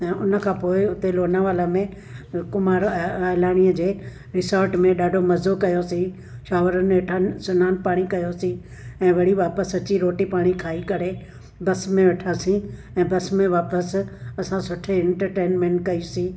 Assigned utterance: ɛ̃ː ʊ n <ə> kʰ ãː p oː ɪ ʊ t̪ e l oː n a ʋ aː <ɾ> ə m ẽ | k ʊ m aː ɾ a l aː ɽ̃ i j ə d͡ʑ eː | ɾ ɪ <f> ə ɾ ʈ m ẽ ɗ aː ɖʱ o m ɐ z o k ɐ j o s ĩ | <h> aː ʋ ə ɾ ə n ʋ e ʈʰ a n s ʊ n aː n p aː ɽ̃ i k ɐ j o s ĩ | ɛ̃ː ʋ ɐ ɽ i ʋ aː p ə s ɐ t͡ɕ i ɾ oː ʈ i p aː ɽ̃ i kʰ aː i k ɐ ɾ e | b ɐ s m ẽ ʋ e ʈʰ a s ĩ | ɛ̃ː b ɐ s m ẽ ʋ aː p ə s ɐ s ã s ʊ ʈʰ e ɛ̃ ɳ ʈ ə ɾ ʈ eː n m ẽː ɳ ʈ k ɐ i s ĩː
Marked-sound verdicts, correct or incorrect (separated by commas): correct, incorrect, incorrect, incorrect